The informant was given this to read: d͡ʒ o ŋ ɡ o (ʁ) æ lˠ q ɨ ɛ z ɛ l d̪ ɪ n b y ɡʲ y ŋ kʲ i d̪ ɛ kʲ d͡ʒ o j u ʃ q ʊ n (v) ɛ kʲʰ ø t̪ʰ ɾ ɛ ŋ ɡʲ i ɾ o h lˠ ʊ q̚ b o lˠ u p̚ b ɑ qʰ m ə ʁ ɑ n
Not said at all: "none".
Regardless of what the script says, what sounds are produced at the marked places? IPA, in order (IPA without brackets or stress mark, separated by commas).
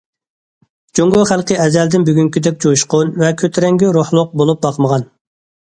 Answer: χ, v